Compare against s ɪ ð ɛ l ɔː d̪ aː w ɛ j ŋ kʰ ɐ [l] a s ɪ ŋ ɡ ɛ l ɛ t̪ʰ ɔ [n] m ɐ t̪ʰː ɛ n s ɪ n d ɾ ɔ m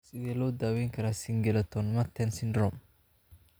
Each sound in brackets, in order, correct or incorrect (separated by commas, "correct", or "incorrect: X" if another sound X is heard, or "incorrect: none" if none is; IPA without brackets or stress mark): incorrect: ɾ, correct